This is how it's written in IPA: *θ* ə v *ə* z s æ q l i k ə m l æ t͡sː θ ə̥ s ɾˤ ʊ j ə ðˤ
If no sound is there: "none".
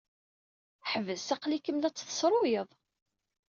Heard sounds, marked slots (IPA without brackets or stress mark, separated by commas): ħ, ə